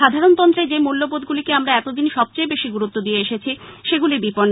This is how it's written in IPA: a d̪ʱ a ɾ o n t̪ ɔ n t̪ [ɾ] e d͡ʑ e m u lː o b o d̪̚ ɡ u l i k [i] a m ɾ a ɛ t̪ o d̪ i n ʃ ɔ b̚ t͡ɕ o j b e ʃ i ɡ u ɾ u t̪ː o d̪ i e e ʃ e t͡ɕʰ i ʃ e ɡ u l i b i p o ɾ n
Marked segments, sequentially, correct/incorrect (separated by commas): correct, incorrect